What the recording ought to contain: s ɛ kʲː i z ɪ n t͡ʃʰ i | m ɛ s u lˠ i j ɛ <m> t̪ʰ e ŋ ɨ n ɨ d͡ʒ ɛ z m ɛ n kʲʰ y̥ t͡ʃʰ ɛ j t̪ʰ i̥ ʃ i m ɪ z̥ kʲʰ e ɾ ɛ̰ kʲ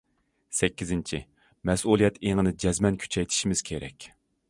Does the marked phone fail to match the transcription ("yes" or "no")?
yes